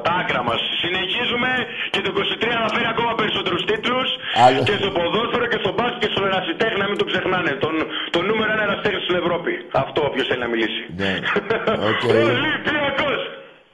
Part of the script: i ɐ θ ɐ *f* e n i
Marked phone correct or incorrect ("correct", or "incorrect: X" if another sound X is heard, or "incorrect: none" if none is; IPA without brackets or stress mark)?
correct